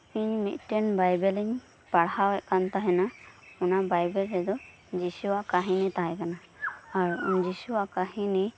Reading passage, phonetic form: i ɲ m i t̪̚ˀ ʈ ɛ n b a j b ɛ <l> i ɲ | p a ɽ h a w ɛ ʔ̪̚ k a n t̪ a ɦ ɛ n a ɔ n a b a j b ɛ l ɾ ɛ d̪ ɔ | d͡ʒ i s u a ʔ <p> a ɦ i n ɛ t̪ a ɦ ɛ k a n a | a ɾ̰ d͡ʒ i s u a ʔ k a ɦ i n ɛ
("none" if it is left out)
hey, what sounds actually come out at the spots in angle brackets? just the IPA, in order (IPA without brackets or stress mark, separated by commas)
l, k